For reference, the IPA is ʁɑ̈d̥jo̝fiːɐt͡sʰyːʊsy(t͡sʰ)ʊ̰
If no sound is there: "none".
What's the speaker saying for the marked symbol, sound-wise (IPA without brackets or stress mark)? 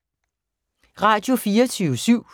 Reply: none